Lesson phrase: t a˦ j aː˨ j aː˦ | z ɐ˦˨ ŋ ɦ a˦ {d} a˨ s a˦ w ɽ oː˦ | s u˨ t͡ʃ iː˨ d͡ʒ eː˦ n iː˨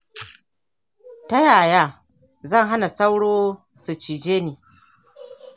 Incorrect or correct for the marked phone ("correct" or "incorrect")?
incorrect